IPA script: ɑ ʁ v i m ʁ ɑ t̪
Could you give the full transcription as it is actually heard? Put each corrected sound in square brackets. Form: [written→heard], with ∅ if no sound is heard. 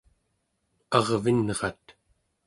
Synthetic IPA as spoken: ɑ ʁ v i [m→n] ʁ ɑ t̪